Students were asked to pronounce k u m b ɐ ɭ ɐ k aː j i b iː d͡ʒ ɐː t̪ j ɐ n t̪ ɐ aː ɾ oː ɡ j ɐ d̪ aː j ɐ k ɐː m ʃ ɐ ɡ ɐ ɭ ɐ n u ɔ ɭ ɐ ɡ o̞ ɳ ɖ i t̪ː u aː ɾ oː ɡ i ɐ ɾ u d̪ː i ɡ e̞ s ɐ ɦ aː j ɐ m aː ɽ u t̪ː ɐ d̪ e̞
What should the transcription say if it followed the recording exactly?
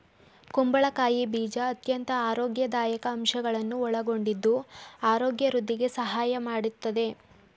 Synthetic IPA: k u m b ɐ ɭ ɐ k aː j i b iː d͡ʒ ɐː t̪ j ɐ n t̪ ɐ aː ɾ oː ɡ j ɐ d̪ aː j ɐ k ɐː m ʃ ɐ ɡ ɐ ɭ ɐ nː u ɔ ɭ ɐ ɡ o̞ ɳ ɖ i d̪ː u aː ɾ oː ɡ j ɐ ɾ u d̪ː i ɡ e̞ s ɐ ɦ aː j ɐ m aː ɽ u t̪ː ɐ d̪ e̞